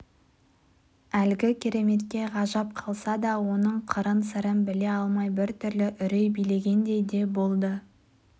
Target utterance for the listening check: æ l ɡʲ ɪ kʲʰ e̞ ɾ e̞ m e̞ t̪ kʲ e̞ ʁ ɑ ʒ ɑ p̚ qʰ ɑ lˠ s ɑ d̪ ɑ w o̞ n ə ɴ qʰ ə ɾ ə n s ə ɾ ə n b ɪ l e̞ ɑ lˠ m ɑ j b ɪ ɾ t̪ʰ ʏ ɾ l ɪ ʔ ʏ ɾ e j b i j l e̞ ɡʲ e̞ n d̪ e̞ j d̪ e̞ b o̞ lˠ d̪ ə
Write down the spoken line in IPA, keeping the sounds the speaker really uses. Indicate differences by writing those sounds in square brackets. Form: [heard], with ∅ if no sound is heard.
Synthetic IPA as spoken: æ l ɡʲ ɪ kʲʰ e̞ ɾ e̞ m e̞ t̪ kʲ e̞ ʁ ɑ ʒ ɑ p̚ qʰ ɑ lˠ s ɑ d̪ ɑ w o̞ n ə ɴ qʰ ə ɾ ə n s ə ɾ ə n b ɪ l e̞ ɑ lˠ m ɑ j b ɪ ɾ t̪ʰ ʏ ɾ l ɪ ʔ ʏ ɾ e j b i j l e̞ ɡʲ e̞ n d̪ e̞ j d̪ e̞ b o̞ lˠ d̪ ə